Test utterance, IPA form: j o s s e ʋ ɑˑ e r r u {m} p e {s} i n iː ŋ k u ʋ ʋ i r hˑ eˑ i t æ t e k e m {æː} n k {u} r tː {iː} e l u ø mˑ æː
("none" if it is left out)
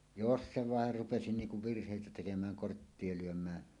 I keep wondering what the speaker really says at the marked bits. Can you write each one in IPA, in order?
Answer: none, s, æː, o, i

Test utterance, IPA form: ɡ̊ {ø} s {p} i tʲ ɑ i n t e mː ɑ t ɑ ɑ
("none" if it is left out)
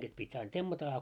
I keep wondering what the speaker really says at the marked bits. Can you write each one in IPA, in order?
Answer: e, p

